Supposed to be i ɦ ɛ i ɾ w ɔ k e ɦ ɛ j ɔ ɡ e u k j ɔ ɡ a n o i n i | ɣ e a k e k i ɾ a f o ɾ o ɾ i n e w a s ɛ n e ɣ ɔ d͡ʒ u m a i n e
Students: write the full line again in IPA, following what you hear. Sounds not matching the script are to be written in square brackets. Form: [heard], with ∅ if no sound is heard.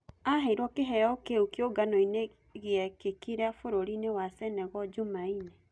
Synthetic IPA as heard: [a] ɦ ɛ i ɾ w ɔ k e ɦ ɛ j ɔ [k] e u k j [o] ɡ a n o i n [e] | ɣ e [ɛ] k e k i ɾ a f o ɾ o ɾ i n e w a s ɛ n [ɛ] ɣ ɔ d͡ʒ u m a i n e